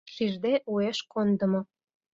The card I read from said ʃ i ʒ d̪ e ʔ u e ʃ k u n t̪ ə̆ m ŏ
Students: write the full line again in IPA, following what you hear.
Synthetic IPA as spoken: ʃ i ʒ d̪ e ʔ u e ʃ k o n d̪ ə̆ m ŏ